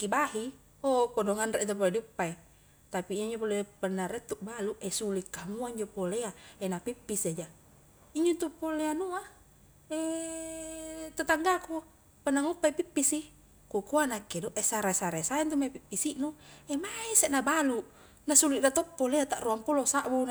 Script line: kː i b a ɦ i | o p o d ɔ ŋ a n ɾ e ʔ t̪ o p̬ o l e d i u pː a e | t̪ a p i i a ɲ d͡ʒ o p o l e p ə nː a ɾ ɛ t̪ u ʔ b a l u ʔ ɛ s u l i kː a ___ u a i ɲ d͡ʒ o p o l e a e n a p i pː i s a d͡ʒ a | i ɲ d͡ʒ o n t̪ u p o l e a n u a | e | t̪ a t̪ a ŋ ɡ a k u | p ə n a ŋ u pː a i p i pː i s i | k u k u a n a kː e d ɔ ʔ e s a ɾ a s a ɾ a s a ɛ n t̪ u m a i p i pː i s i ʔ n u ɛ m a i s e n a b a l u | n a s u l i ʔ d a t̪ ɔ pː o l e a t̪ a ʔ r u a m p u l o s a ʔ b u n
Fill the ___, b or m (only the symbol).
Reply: m